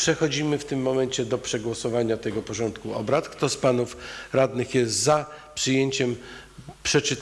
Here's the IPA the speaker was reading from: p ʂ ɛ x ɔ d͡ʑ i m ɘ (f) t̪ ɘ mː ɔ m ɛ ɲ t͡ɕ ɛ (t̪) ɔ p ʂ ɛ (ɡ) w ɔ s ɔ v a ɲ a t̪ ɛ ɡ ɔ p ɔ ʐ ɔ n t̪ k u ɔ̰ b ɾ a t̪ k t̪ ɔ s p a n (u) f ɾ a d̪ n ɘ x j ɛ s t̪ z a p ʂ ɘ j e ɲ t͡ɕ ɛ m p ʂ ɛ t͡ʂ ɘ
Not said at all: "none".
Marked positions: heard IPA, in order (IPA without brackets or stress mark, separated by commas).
f, d̪, ɡ, u